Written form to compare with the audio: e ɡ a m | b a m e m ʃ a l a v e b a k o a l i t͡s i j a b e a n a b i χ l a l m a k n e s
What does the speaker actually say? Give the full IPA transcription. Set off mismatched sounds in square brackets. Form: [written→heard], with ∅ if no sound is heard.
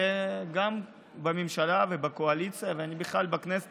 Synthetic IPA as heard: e ɡ a m | b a m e m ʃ a l a v e b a k o a l i t͡s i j a [b→v] e a n [a→i] b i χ l a l [m→b] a k n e s